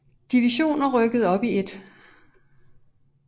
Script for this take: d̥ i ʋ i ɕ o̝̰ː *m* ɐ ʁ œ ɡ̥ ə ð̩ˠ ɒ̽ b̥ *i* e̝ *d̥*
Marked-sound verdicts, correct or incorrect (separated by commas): incorrect, correct, correct